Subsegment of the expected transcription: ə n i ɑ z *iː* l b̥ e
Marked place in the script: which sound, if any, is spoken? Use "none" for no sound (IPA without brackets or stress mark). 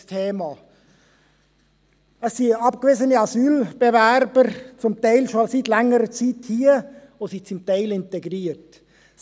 yː